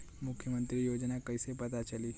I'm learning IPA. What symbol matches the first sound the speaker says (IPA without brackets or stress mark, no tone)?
m